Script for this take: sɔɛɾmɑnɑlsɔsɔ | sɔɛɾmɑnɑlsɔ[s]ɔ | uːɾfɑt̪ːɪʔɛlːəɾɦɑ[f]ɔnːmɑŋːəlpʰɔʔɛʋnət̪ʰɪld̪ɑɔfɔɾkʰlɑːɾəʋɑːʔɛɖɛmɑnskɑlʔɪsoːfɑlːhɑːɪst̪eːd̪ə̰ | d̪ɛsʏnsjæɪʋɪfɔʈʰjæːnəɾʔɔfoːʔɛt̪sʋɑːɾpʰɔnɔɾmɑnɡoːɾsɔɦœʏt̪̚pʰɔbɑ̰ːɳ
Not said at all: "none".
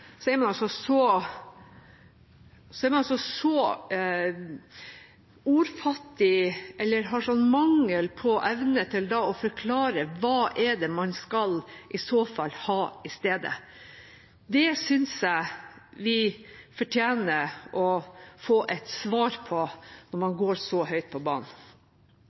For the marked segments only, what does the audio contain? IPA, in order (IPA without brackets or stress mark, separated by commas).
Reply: s, ʂ